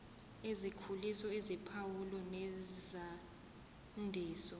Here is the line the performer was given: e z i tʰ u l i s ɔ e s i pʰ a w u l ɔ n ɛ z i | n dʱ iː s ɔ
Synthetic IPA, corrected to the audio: e z i kʰ u l i s ɔ e z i pʰ a w u l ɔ n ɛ z a | n dʱ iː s ɔ